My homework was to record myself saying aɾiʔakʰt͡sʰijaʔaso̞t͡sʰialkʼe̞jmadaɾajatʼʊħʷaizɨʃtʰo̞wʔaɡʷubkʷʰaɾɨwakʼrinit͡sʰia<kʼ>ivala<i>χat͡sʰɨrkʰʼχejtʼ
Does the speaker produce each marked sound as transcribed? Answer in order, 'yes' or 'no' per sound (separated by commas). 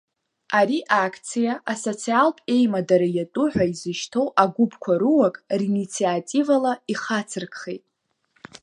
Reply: no, yes